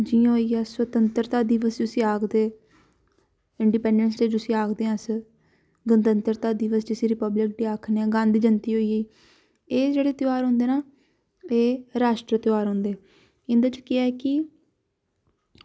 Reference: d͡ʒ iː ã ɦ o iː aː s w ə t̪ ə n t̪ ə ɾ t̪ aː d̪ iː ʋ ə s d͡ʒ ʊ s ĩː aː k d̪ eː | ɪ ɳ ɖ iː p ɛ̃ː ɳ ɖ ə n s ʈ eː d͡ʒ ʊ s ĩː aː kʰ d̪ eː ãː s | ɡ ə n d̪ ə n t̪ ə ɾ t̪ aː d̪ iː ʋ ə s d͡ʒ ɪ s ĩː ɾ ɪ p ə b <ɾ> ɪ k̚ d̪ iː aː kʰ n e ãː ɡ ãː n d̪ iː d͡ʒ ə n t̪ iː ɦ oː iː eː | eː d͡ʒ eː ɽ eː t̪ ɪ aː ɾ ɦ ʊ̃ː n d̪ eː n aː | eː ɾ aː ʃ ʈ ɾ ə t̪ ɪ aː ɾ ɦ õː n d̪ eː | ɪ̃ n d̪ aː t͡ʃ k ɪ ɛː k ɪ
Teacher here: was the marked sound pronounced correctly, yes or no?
no